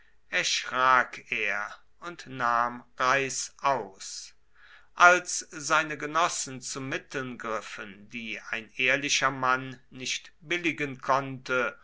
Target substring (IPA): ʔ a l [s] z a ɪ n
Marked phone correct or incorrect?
correct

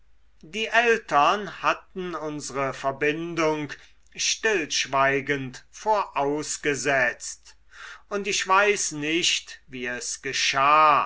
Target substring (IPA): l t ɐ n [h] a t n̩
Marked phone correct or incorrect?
correct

